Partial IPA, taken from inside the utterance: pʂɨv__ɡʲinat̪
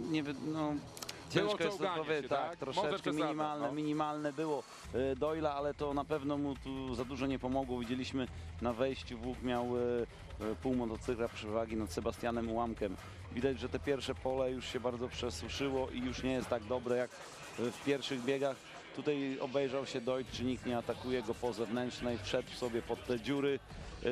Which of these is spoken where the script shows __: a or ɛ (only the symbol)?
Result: a